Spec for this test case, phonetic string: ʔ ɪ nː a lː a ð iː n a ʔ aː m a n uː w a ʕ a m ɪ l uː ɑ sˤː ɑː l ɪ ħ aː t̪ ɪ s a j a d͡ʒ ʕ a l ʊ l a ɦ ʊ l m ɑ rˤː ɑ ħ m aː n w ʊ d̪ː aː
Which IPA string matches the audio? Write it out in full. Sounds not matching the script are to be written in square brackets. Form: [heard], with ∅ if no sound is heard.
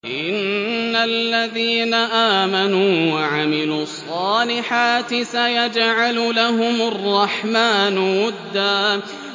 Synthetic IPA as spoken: ʔ ɪ nː a lː a ð iː n a ʔ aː m a n uː w a ʕ a m ɪ l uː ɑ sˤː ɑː l ɪ ħ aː t̪ ɪ s a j a d͡ʒ ʕ a l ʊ l a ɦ ʊ [∅] m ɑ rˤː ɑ ħ m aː n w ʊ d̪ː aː